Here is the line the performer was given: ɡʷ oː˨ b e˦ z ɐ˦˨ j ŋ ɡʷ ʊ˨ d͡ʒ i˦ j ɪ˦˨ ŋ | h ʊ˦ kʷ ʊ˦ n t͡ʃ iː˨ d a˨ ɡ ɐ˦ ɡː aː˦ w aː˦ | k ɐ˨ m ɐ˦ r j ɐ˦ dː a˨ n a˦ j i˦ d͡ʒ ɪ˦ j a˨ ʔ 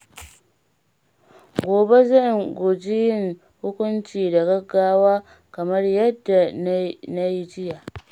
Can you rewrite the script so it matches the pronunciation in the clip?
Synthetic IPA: ɡʷ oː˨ b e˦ z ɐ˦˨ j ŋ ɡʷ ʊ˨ d͡ʒ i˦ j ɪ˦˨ ŋ | h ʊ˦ kʷ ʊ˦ n t͡ʃ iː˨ d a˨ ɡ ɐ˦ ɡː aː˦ w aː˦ | k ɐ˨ m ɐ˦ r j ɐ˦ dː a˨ n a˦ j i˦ d͡ʒ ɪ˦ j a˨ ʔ